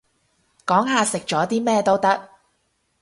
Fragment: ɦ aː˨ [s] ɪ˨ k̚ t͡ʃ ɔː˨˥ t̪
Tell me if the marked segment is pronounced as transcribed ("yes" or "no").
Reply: yes